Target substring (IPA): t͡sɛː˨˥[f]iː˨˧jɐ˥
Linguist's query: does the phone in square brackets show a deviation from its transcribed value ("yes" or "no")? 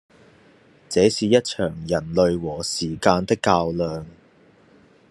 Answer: yes